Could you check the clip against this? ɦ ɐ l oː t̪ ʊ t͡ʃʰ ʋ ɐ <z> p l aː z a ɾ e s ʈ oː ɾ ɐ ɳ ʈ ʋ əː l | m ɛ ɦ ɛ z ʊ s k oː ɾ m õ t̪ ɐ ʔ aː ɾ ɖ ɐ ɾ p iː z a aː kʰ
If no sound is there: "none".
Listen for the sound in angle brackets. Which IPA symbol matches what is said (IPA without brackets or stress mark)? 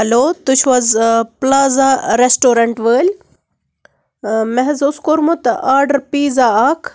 z